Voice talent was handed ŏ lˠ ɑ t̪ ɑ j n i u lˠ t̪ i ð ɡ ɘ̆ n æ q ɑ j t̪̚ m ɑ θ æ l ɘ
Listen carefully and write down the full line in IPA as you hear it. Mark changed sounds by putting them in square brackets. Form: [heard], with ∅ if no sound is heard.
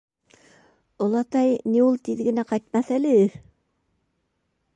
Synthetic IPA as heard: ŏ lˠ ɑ t̪ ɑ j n i u lˠ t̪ i ð ɡ ɘ̆ n æ q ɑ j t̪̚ m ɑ θ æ l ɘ

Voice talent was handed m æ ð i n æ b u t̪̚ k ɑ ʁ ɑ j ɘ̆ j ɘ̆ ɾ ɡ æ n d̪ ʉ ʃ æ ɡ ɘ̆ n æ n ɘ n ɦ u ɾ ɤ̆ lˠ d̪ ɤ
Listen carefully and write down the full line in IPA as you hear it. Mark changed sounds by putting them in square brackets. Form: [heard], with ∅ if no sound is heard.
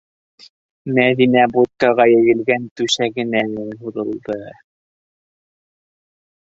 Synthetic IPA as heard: m æ ð i n æ b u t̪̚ k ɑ ʁ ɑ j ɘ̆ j ɘ̆ [l] ɡ æ n [t̪] ʉ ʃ æ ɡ ɘ̆ n æ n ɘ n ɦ u ɾ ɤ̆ lˠ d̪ ɤ

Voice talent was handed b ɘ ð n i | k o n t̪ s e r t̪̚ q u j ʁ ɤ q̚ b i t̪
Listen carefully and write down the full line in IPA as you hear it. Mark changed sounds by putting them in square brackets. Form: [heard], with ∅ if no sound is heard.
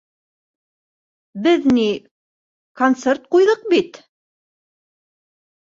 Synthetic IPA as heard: b ɘ ð n i | k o n t̪ s e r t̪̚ q u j [ð] ɤ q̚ b i t̪

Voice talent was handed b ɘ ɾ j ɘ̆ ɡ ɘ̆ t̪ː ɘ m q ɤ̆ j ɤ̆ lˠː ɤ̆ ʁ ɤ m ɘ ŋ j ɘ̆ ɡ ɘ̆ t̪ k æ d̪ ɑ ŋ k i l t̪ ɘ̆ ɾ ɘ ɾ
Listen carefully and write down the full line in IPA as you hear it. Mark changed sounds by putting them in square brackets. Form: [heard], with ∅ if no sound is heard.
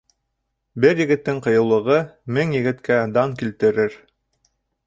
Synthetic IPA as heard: b ɘ ɾ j ɘ̆ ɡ ɘ̆ t̪ː ɘ [ŋ] q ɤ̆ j ɤ̆ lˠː ɤ̆ ʁ ɤ m ɘ ŋ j ɘ̆ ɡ ɘ̆ t̪ k æ d̪ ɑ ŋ k i l t̪ ɘ̆ ɾ ɘ ɾ

